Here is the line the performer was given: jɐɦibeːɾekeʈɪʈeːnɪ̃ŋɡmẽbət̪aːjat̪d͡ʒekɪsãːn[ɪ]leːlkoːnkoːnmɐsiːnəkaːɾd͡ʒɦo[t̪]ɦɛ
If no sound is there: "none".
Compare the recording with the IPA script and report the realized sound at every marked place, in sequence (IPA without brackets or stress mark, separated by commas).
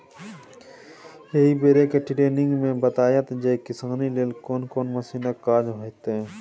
i, t̪